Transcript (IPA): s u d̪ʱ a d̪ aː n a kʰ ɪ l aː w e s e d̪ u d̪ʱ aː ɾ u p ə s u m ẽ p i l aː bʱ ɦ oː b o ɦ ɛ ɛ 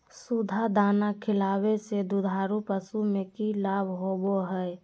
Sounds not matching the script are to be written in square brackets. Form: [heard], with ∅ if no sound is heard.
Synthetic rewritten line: s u d̪ʱ a d̪ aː n a kʰ ɪ l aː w e s e d̪ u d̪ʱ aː ɾ u p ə s u m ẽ [k] i l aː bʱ ɦ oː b o ɦ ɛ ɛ

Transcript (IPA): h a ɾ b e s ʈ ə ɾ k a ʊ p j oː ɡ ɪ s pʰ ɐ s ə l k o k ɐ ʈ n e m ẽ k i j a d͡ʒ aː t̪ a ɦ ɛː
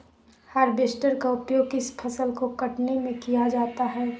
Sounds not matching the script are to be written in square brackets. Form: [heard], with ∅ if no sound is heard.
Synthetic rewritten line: h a ɾ b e s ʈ ə ɾ k a ʊ p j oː ɡ ɪ s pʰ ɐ s ə l k o k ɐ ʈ n e m ẽ k i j a d͡ʒ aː t̪ a ɦ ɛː

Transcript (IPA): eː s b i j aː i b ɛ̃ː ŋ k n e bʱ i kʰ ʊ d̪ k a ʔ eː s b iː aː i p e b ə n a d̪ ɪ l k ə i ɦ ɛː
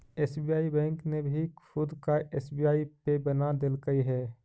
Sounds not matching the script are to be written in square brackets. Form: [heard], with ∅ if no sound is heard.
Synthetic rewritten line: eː s b i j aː i b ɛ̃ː ŋ k n e bʱ i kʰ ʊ d̪ k a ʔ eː s b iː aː i p e b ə n a d̪ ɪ l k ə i ɦ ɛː

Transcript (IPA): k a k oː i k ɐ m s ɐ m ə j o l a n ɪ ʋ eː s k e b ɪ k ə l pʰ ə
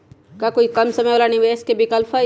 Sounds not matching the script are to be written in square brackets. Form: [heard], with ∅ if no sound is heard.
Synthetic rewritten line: k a k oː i k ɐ m s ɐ m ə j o l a n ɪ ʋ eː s k e b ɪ k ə l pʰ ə

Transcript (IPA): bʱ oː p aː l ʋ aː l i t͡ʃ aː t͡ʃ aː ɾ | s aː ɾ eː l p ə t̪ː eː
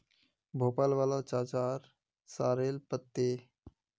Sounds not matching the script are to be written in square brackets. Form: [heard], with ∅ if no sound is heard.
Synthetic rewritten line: bʱ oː p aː l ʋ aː l [a] t͡ʃ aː t͡ʃ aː ɾ | s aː ɾ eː l p ə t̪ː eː

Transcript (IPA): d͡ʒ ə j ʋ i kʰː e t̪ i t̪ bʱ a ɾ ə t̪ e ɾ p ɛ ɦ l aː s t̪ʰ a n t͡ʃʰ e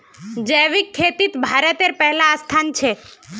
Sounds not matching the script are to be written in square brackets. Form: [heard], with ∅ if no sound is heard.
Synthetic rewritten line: d͡ʒ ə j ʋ i kʰː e t̪ i t̪ bʱ a ɾ ə t̪ e ɾ p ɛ ɦ l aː s t̪ʰ a n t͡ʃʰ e

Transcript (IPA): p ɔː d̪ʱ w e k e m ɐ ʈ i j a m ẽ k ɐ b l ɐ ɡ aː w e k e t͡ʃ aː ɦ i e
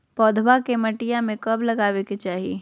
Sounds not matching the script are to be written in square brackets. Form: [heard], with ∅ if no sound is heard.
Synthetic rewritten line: p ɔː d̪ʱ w [a] k e m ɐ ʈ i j a m ẽ k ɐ b l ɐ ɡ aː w e k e t͡ʃ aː ɦ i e

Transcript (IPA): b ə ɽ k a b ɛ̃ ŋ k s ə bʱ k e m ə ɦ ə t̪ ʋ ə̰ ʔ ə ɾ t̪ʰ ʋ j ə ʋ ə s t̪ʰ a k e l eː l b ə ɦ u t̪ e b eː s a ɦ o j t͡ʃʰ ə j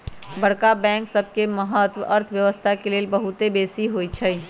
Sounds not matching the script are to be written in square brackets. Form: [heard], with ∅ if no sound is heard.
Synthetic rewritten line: b ə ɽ k a b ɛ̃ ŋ k s ə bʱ k e m ə ɦ ə t̪ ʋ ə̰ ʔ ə ɾ t̪ʰ ʋ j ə ʋ ə s t̪ʰ a k e l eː l b ə ɦ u t̪ e b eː s [i] ɦ o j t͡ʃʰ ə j

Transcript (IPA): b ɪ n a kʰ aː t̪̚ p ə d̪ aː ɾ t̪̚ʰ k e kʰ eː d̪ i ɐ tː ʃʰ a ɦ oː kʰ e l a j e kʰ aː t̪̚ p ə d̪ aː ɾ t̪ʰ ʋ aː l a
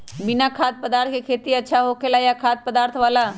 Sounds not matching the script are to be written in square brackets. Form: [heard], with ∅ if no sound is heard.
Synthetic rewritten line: b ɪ n a kʰ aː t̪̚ p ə d̪ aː ɾ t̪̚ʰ k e kʰ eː [t̪] i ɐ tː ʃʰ a ɦ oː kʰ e l a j [a] kʰ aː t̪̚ p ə d̪ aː ɾ t̪ʰ ʋ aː l a

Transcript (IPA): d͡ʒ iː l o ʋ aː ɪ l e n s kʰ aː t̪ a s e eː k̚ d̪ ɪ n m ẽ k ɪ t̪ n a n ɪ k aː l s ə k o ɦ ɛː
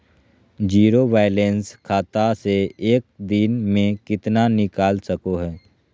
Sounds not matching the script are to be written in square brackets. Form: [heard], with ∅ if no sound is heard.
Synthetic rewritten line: d͡ʒ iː [ɾ] o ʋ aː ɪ l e n s kʰ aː t̪ a s e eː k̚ d̪ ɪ n m ẽ k ɪ t̪ n a n ɪ k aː l s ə k o ɦ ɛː

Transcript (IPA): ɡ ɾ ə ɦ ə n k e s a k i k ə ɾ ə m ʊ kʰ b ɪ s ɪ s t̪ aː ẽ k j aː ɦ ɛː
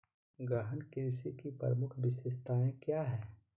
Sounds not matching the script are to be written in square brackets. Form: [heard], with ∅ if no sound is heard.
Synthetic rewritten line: ɡ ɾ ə ɦ ə n k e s [i] k i [p] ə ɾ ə m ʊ kʰ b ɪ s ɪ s t̪ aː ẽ k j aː ɦ ɛː

